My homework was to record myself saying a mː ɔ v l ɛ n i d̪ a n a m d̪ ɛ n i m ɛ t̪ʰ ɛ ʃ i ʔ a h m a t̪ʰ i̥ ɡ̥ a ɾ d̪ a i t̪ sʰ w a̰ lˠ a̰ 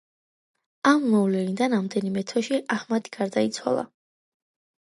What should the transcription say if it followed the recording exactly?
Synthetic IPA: a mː ɔ v l ɛ n i d̪ a n a m d̪ ɛ n i m ɛ t̪ʰ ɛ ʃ i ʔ a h m a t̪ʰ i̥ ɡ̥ a ɾ d̪ a i t̪ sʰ w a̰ lˠ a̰

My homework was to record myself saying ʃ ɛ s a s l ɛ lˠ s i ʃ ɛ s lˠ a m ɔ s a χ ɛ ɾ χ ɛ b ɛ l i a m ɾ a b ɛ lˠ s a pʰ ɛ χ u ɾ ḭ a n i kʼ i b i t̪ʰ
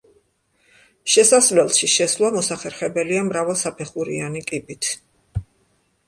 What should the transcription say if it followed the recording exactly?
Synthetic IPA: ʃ ɛ s a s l ɛ lˠ ʃ i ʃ ɛ s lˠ a m ɔ s a χ ɛ ɾ χ ɛ b ɛ l i a m ɾ a v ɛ lˠ s a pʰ ɛ χ u ɾ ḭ a n i kʼ i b i t̪ʰ

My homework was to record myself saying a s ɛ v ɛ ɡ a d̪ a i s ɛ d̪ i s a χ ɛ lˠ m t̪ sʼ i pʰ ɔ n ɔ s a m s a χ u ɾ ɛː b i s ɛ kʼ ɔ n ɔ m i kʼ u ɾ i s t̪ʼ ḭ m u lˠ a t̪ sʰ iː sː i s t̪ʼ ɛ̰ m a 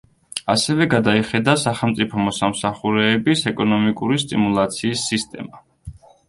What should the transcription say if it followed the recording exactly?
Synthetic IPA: a s ɛ v ɛ ɡ a d̪ a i χ ɛ d̪ a s a χ ɛ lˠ m t̪ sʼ i pʰ ɔ m ɔ s a m s a χ u ɾ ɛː b i s ɛ kʼ ɔ n ɔ m i kʼ u ɾ i s t̪ʼ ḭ m u lˠ a t̪ sʰ iː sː i s t̪ʼ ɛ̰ m a

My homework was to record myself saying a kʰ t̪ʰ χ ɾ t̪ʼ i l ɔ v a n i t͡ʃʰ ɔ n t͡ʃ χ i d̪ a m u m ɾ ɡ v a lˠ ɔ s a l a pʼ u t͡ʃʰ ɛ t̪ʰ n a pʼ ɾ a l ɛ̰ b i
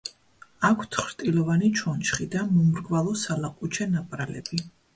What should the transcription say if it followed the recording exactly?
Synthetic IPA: a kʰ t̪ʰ χ ɾ t̪ʼ i l ɔ v a n i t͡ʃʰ ɔ n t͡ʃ χ i d̪ a m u m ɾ ɡ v a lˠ ɔ s a l a qʼ u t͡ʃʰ ɛ n a pʼ ɾ a l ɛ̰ b i

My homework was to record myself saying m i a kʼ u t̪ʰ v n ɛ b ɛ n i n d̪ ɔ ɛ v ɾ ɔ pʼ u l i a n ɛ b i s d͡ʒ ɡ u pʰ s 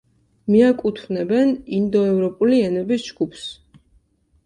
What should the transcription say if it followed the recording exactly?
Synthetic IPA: m i a kʼ u t̪ʰ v n ɛ b ɛ n i n d̪ ɔ ɛ v ɾ ɔ pʼ u l i ɛ n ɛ b i s d͡ʒ ɡ u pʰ s

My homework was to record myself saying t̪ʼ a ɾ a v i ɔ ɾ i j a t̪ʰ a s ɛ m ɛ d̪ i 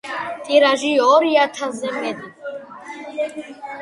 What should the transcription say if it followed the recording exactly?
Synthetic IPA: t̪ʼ i ɾ a ʒ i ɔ ɾ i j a t̪ʰ a z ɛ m ɛ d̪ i

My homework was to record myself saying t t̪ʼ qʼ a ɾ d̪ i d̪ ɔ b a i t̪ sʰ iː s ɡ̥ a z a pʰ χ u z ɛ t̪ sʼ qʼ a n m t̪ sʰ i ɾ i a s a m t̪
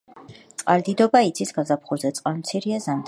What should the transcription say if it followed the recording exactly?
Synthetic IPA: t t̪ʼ qʼ a ɾ d̪ i d̪ ɔ b a i t̪ sʰ i s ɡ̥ a z a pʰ χ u z ɛ t̪ sʼ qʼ a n m t̪ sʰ i ɾ i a z a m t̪

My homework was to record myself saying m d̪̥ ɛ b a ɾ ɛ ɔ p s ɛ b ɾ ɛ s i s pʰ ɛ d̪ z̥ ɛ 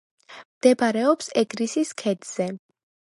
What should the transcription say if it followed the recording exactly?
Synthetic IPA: m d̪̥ ɛ b a ɾ ɛ ɔ p s ɛ ɡ ɾ i s i s kʰ ɛ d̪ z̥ ɛ

